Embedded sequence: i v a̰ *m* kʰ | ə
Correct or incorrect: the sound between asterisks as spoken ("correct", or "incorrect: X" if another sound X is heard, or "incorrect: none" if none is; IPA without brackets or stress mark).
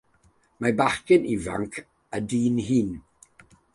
incorrect: ŋ